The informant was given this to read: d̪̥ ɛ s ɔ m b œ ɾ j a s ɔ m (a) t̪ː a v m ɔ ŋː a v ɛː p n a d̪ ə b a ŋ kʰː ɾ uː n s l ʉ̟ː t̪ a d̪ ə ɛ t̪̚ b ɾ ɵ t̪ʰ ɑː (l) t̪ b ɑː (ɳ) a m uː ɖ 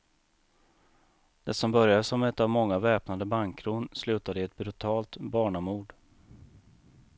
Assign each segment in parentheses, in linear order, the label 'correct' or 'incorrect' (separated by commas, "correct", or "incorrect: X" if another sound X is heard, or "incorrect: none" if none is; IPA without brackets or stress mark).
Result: incorrect: ɛ, correct, correct